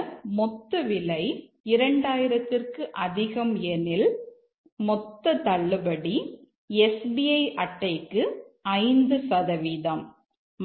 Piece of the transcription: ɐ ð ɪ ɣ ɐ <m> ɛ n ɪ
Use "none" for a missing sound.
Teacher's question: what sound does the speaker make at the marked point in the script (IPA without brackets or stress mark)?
m